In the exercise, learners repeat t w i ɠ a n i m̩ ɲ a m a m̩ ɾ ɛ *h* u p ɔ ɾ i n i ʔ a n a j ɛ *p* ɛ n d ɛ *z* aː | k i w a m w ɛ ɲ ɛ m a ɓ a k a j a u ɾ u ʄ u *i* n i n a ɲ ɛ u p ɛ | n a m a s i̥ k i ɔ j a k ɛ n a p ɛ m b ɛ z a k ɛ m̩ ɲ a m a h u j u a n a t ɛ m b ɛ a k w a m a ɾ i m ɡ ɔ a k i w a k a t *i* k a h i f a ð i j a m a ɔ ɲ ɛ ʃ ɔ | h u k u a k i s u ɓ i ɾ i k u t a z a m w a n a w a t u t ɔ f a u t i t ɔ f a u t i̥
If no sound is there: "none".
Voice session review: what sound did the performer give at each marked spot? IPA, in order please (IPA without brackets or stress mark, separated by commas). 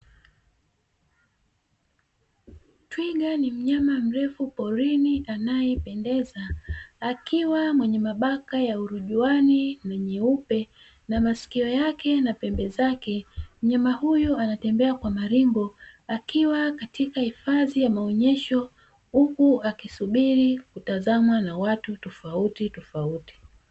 f, p, z, a, i